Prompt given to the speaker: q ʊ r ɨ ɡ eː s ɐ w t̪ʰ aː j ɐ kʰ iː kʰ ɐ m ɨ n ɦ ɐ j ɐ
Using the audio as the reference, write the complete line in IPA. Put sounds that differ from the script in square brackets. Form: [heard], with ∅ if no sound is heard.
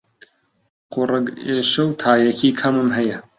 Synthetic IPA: q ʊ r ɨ ɡ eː [ʃ] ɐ w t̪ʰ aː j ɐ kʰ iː kʰ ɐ m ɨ [m] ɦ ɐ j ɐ

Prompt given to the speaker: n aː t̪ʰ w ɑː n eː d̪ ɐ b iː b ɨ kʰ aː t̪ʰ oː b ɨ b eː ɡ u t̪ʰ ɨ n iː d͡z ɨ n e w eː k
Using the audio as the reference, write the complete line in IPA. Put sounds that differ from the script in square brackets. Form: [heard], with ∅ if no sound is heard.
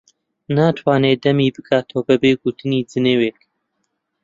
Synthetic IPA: n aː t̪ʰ w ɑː n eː d̪ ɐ [m] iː b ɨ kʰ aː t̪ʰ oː b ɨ b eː ɡ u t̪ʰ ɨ n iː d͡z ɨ n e w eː k

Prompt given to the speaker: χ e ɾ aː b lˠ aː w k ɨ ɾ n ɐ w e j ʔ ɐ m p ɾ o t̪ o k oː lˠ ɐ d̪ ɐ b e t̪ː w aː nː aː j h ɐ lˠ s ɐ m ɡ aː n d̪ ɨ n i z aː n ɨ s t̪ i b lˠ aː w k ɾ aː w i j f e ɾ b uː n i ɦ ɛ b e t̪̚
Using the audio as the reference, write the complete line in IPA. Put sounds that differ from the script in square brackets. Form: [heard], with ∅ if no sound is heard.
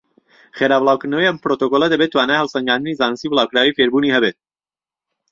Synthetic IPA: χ e ɾ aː b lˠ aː w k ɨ ɾ n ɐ w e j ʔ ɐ m p ɾ o t̪ o k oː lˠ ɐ d̪ ɐ b e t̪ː w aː [n] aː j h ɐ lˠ s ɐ [ŋ] ɡ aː n d̪ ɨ n i z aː n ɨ s t̪ i b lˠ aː w k ɾ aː w i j f e ɾ b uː n i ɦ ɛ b e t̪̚

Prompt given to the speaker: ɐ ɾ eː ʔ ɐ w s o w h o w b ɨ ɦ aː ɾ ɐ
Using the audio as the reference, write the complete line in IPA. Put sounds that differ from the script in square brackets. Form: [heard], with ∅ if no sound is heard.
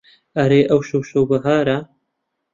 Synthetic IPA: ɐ ɾ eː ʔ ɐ w [ʃ] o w [ʃ] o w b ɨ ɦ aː ɾ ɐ

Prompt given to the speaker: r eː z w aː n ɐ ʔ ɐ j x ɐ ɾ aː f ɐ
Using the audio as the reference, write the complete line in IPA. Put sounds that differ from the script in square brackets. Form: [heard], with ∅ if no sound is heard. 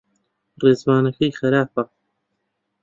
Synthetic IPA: r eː z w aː n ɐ [k] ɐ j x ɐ ɾ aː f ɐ

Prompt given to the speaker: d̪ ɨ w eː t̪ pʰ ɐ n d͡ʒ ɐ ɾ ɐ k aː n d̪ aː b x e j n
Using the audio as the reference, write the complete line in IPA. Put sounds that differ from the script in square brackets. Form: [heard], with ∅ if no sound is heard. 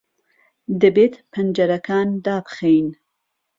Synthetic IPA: d̪ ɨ [b] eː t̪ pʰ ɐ n d͡ʒ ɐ ɾ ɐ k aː n d̪ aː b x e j n

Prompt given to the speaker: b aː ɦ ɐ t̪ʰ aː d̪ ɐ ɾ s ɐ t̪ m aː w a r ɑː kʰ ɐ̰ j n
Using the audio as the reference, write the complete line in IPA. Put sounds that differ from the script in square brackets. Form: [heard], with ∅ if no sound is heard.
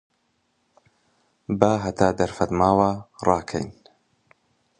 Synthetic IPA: b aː ɦ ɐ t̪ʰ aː d̪ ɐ ɾ [f] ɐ t̪ m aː w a r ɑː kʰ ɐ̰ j n

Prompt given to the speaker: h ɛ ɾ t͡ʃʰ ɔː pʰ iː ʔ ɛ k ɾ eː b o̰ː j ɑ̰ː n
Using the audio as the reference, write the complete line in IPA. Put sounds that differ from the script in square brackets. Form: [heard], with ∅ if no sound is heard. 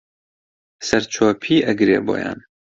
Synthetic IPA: [s] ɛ ɾ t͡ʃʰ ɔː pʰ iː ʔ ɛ [ɡ] ɾ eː b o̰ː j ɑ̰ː n

